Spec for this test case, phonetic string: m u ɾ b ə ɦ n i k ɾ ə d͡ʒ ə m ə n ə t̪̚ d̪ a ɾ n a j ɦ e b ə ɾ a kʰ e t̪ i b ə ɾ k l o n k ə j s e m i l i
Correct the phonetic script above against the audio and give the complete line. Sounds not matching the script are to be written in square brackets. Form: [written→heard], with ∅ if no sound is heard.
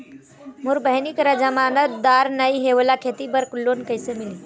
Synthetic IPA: m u ɾ b ə ɦ n i k ɾ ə d͡ʒ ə m [ə→a] n ə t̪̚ d̪ a ɾ n [a→ə] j ɦ e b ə [ɾ→l] a kʰ e t̪ i b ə ɾ k l o n k ə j s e m i l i